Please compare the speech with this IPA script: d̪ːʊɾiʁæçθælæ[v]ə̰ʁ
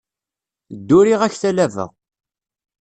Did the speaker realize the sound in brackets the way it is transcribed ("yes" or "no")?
yes